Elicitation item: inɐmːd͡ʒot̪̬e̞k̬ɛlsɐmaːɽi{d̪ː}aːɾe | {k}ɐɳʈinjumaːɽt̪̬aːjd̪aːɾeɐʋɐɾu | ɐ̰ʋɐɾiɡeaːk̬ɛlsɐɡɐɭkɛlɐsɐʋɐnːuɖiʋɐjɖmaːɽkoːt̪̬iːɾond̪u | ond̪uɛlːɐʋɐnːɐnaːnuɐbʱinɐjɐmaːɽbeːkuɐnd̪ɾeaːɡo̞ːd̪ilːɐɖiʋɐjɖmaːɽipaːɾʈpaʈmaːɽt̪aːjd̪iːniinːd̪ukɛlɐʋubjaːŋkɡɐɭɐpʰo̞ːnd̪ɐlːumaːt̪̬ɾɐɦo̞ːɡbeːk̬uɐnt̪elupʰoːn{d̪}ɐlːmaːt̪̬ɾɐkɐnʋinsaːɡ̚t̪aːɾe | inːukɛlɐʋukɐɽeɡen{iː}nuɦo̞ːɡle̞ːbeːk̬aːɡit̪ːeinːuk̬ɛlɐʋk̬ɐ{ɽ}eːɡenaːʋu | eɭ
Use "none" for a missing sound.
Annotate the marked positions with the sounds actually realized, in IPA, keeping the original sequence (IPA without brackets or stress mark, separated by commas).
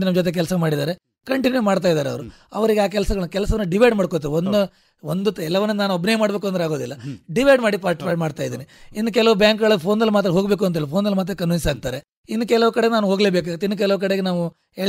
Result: d̪, k, d̪, aː, ɽ